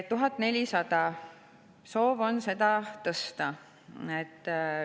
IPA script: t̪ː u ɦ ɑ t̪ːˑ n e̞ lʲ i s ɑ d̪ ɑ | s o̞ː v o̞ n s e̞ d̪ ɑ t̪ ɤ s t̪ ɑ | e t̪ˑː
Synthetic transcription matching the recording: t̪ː u ɦ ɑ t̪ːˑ n e̞ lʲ i s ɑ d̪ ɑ | s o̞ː v o̞ n s e̞ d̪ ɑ t̪ ɤ s t̪ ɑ | e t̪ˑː